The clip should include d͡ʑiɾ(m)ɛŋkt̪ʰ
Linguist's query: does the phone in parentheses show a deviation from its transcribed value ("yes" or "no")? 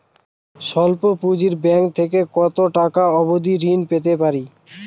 yes